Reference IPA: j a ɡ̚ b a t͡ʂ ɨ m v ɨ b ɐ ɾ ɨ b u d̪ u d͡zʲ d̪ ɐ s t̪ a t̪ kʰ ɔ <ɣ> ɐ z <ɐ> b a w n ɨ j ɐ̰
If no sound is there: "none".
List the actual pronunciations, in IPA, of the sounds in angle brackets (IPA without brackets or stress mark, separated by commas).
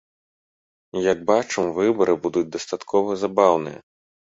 v, a